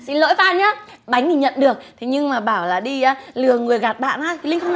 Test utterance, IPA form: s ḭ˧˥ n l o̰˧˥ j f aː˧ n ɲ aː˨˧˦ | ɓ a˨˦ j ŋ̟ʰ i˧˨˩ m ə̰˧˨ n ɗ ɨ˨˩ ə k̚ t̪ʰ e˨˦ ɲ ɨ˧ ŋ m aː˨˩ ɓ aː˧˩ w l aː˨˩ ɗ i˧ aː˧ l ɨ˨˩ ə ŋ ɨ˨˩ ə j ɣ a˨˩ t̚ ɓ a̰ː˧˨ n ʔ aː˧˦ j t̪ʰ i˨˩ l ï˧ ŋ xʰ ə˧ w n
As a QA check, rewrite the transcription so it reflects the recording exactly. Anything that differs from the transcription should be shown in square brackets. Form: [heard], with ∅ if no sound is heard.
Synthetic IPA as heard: s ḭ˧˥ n l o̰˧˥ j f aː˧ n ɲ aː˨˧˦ | ɓ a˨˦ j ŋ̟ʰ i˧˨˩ [ɲ] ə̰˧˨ n ɗ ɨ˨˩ ə k̚ t̪ʰ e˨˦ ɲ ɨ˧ ŋ m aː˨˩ ɓ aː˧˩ w l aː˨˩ ɗ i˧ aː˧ l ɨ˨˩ ə ŋ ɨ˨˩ ə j ɣ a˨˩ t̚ ɓ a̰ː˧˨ n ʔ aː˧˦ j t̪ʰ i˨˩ l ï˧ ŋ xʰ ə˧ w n

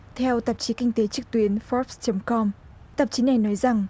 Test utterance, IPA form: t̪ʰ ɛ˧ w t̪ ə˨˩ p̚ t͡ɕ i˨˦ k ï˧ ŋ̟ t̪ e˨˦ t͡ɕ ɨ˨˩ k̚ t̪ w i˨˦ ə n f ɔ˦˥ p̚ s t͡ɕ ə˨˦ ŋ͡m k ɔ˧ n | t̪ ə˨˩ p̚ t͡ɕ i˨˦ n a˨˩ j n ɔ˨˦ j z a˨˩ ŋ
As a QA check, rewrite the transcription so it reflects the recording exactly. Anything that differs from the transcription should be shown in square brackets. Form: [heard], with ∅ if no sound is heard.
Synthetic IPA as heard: t̪ʰ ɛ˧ w t̪ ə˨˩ p̚ t͡ɕ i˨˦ k ï˧ ŋ̟ t̪ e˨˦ t͡ɕ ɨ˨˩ k̚ t̪ w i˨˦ ə n f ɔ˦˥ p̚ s t͡ɕ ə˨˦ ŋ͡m k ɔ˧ [m] | t̪ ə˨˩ p̚ t͡ɕ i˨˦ n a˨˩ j n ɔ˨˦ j z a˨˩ ŋ

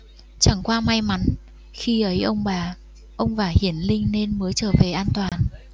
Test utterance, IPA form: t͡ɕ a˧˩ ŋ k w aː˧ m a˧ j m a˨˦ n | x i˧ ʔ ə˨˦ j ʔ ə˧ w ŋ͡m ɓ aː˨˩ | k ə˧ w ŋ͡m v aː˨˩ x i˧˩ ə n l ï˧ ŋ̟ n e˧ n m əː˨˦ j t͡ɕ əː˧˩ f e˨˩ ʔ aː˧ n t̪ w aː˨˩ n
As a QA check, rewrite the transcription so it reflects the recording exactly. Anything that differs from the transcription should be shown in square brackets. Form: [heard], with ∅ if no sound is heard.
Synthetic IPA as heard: t͡ɕ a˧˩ ŋ k w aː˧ m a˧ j m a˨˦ n | x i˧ ʔ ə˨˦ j ʔ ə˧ w ŋ͡m ɓ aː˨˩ | [ʔ] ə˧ w ŋ͡m v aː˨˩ [h] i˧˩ ə n l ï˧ ŋ̟ n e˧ n m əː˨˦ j t͡ɕ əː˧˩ [v] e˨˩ ʔ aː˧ n t̪ w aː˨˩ n

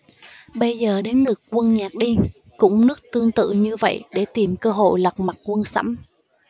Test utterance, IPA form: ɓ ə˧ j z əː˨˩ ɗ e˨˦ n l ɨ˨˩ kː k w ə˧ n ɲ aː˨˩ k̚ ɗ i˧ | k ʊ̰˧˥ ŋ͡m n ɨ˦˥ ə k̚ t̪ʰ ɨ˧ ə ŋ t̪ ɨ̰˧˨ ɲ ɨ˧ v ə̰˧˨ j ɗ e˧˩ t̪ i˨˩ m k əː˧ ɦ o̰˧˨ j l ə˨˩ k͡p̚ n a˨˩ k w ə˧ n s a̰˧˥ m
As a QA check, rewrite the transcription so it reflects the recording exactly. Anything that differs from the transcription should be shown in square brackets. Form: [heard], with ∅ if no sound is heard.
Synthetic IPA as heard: ɓ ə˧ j z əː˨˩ ɗ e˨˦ n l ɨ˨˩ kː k w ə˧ n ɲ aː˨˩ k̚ ɗ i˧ | k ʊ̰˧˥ ŋ͡m n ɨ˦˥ ə k̚ [t̪] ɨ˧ ə ŋ t̪ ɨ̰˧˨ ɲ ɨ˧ v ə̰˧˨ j ɗ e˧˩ t̪ i˨˩ m k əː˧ ɦ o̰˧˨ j l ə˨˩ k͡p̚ [m] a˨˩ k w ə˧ n s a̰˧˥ m

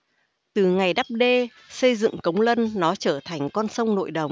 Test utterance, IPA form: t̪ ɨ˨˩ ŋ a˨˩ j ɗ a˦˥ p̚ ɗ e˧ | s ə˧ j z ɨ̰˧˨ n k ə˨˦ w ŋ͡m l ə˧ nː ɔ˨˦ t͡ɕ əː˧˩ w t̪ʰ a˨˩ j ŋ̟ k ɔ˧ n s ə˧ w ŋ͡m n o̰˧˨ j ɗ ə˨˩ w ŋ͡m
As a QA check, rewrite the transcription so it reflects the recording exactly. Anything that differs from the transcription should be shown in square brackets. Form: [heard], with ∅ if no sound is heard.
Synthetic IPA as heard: t̪ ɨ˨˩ ŋ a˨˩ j ɗ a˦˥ p̚ ɗ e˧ | s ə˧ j z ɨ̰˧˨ [ŋ] k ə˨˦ w ŋ͡m l ə˧ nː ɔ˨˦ t͡ɕ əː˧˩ [∅] t̪ʰ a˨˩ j ŋ̟ k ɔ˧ n s ə˧ w ŋ͡m n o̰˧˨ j ɗ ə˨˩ w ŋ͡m

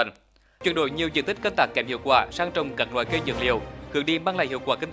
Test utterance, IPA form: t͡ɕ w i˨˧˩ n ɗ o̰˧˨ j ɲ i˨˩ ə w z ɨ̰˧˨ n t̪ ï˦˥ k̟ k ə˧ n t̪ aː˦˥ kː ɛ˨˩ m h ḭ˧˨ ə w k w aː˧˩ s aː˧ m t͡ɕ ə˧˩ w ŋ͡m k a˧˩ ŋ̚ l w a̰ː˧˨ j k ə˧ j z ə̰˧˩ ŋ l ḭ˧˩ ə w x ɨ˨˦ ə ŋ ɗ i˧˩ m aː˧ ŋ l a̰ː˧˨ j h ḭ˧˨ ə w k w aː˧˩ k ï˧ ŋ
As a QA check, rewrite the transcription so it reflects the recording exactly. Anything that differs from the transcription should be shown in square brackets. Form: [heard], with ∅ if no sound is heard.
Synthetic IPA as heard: t͡ɕ w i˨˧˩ n ɗ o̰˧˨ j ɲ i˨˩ ə w z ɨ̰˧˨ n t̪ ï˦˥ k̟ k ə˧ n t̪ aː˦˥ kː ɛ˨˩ m h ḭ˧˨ ə w k w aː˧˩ s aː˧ [ŋ] t͡ɕ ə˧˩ w ŋ͡m k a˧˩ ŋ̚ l w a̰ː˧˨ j k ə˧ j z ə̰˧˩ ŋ l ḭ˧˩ ə w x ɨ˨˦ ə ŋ ɗ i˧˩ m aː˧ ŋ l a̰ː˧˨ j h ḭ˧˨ ə w k w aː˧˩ k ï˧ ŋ

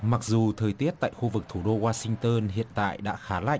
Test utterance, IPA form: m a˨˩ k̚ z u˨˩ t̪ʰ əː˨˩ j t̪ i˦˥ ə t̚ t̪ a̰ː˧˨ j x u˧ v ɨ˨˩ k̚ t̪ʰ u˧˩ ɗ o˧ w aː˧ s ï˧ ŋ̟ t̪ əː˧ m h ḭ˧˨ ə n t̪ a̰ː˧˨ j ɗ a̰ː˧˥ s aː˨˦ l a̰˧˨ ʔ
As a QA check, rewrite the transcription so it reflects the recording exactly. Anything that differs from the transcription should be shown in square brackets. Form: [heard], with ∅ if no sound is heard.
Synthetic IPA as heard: m a˨˩ k̚ z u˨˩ t̪ʰ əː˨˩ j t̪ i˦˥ ə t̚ t̪ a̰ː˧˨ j x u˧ v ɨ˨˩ k̚ t̪ʰ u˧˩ ɗ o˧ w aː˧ s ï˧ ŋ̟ t̪ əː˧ [n] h ḭ˧˨ ə n t̪ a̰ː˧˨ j ɗ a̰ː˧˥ [x] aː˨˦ l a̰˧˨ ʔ

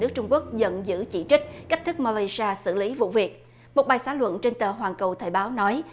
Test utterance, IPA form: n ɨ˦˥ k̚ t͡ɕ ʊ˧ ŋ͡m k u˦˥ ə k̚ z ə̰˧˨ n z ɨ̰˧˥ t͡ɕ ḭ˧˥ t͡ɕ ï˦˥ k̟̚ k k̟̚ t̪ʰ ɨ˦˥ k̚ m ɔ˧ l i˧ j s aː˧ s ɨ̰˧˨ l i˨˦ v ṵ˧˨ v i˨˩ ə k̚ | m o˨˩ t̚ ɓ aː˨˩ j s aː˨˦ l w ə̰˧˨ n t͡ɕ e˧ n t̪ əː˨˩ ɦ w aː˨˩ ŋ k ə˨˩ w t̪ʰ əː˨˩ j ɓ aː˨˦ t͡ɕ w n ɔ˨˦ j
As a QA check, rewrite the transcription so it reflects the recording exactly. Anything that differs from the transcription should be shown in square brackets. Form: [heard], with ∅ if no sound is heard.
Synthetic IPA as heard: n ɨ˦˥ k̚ t͡ɕ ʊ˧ ŋ͡m k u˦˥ ə k̚ z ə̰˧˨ n z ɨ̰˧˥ t͡ɕ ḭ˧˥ t͡ɕ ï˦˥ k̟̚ k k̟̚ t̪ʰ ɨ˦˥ k̚ m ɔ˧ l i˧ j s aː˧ s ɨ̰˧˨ l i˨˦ v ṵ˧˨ v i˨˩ ə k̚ | m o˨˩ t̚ ɓ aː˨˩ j s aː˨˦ l w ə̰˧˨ n t͡ɕ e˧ n t̪ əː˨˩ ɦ w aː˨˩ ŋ k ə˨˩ w t̪ʰ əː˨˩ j ɓ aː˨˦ [∅] w n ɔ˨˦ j

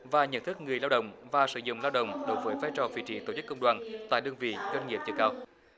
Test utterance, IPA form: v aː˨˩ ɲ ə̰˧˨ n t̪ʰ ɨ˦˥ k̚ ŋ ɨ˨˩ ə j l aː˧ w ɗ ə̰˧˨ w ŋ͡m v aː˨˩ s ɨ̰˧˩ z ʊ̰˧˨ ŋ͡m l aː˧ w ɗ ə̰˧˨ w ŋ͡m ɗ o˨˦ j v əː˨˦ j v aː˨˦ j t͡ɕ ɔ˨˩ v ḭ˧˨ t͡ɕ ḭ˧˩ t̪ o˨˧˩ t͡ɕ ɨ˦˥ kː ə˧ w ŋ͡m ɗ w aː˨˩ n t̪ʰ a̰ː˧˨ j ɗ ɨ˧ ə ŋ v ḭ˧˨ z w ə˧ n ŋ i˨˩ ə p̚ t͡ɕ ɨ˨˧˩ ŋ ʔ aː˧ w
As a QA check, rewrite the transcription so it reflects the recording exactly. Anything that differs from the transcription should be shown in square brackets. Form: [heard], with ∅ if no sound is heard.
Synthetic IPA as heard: v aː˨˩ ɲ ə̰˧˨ n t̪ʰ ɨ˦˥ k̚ ŋ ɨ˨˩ ə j l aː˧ w ɗ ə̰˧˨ w ŋ͡m v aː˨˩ s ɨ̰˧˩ z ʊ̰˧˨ ŋ͡m l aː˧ w ɗ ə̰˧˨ w ŋ͡m ɗ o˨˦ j v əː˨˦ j v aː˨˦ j t͡ɕ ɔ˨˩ v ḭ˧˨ t͡ɕ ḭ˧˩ t̪ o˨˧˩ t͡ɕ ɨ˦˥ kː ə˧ w ŋ͡m ɗ w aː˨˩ n [t̪] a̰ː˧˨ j ɗ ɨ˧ ə ŋ v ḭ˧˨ z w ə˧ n ŋ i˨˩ ə p̚ t͡ɕ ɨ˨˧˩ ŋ [k] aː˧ w

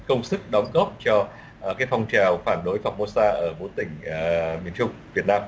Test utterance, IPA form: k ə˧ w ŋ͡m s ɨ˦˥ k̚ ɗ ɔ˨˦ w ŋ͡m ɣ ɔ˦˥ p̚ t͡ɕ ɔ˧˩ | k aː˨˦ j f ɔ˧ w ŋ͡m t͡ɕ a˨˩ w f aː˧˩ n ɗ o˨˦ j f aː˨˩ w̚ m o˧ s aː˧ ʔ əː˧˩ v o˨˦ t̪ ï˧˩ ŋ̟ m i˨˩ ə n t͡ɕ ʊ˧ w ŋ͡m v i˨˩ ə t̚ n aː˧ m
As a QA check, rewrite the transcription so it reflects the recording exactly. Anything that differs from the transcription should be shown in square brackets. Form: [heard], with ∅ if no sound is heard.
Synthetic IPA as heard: k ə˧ w ŋ͡m s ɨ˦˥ k̚ ɗ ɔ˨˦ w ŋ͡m ɣ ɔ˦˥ p̚ t͡ɕ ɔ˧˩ | k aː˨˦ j f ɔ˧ w ŋ͡m t͡ɕ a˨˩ w f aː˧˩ n ɗ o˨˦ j f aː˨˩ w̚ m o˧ s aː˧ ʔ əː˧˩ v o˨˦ t̪ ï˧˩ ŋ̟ m i˨˩ ə n t͡ɕ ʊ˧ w ŋ͡m v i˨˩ ə t̚ n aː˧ m

